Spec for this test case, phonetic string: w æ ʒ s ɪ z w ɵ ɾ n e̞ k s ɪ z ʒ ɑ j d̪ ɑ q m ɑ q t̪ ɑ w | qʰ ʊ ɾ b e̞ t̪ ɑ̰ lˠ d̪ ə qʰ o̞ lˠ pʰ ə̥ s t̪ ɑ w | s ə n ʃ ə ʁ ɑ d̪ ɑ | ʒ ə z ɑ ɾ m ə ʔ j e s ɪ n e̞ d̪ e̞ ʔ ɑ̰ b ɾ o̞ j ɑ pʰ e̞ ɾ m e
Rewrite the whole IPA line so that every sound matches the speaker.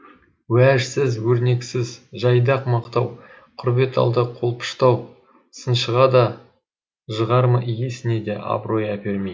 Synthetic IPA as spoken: w æ ʒ s ɪ z w ɵ ɾ n e̞ k s ɪ z ʒ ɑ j d̪ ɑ q m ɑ q t̪ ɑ w | qʰ ʊ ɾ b e̞ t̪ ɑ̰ lˠ d̪ ə qʰ o̞ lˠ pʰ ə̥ ʃ t̪ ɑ w | s ə n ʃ ə ʁ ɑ d̪ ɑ | ʒ ə ʁ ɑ ɾ m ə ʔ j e s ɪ n e̞ d̪ e̞ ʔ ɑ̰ b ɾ o̞ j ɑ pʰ e̞ ɾ m e